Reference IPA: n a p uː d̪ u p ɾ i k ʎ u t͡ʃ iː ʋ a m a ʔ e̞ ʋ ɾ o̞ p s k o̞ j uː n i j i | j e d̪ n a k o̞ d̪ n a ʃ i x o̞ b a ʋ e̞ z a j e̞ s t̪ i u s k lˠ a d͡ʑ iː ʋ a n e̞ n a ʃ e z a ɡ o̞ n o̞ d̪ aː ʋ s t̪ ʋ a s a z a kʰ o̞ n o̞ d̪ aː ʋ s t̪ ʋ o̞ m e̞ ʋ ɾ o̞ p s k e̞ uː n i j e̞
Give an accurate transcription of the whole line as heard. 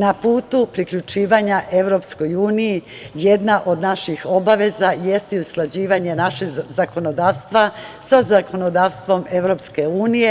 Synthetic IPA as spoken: n a p uː t̪ u p ɾ i k ʎ u t͡ʃ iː ʋ a ɲ a ʔ e̞ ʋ ɾ o̞ p s k o̞ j uː n i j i | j e d̪ n a ʔ o̞ d̪ n a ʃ i x o̞ b a ʋ e̞ z a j e̞ s t̪ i u s k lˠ a d͡ʑ iː ʋ a ɲ e̞ n a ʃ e z a k o̞ n o̞ d̪ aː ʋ s t̪ ʋ a s a z a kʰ o̞ n o̞ d̪ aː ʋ s t̪ ʋ o̞ m e̞ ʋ ɾ o̞ p s k e̞ uː n i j e̞